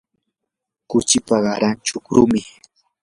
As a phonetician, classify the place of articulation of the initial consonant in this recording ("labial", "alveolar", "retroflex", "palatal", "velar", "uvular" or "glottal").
velar